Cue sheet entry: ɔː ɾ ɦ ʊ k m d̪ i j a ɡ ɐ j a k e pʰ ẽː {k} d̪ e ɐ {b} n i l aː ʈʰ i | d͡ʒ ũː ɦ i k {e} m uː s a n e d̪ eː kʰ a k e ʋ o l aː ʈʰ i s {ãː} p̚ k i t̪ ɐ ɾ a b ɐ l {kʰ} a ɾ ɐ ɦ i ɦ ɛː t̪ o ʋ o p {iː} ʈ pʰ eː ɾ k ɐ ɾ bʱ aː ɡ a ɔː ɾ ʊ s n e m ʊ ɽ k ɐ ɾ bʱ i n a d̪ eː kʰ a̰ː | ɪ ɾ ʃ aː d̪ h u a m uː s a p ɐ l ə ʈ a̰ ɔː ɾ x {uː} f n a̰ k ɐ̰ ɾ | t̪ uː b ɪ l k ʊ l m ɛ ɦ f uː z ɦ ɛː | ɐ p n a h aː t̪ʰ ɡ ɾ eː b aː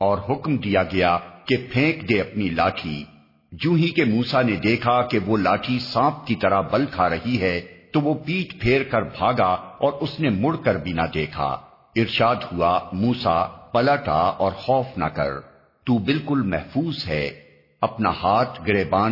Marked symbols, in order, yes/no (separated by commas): yes, no, yes, yes, yes, yes, no